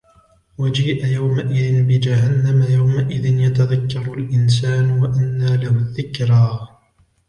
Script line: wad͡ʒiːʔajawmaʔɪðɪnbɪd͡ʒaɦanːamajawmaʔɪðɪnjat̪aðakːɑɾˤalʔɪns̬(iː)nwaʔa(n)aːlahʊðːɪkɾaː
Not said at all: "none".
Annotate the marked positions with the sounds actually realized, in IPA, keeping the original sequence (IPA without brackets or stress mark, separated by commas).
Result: aː, nː